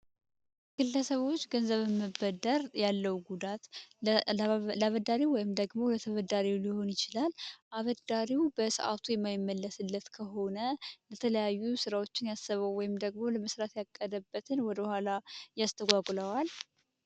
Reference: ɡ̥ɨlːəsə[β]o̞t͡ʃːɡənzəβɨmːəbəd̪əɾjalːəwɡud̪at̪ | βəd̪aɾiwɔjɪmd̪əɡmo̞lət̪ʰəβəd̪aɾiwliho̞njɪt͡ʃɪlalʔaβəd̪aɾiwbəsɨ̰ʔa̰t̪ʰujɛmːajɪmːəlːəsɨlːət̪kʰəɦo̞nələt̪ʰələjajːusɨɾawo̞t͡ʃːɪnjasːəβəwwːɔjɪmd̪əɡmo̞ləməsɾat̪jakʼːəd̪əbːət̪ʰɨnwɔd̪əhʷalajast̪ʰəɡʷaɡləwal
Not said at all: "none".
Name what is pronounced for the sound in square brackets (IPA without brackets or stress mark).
β